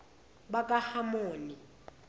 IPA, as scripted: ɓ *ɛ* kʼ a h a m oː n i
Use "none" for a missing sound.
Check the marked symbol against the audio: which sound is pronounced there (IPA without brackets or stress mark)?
a